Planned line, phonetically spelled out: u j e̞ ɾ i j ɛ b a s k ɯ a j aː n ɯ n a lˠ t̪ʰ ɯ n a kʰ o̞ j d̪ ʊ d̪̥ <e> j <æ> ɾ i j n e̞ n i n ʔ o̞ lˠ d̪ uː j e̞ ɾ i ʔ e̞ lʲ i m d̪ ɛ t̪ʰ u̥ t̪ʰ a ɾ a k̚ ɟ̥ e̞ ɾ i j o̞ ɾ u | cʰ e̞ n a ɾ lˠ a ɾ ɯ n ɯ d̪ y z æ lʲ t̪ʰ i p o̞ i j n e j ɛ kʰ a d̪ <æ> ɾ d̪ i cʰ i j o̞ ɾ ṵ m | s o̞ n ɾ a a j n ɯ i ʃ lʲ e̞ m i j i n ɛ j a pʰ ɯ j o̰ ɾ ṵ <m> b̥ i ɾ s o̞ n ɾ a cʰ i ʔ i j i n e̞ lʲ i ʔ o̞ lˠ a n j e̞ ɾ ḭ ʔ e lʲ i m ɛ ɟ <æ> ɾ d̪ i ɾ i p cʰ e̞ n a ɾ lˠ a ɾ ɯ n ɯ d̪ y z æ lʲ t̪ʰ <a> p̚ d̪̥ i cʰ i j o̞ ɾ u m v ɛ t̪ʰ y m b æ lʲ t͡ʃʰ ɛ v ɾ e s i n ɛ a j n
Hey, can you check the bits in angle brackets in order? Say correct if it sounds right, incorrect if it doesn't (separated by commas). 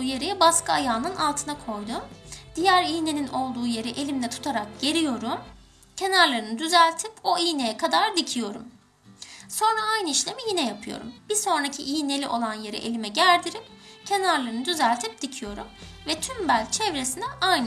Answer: incorrect, correct, incorrect, correct, correct, incorrect